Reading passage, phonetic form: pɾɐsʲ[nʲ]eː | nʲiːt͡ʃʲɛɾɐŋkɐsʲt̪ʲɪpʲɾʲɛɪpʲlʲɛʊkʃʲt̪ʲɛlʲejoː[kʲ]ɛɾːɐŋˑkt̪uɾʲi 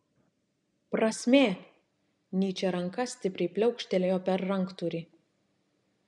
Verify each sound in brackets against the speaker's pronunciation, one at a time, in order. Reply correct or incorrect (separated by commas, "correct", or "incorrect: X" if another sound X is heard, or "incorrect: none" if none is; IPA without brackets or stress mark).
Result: incorrect: mʲ, incorrect: pʲ